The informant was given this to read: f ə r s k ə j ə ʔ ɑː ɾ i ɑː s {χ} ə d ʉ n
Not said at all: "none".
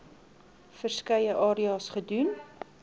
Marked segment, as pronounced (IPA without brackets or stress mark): χ